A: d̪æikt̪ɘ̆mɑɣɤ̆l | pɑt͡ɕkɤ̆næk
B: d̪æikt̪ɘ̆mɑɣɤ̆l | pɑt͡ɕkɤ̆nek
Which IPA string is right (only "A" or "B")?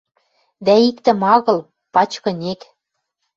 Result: B